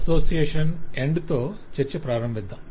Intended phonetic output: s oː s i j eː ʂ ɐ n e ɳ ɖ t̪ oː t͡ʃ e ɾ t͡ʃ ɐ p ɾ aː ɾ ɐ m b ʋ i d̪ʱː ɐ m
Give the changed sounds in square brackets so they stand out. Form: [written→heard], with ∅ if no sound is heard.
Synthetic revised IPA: s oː s i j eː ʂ ɐ n e ɳ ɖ t̪ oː t͡ʃ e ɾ t͡ʃ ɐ p ɾ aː ɾ ɐ m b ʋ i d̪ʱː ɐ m